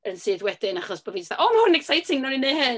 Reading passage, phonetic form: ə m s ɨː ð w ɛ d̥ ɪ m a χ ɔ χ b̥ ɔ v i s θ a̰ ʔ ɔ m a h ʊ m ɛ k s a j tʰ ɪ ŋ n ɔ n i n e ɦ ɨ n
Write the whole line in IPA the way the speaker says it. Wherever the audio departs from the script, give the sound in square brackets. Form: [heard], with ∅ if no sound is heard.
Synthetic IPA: ə [n] s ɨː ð w ɛ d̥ ɪ [n] a χ ɔ [s] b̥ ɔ v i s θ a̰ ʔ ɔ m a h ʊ [n] ɛ k s a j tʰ ɪ ŋ n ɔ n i n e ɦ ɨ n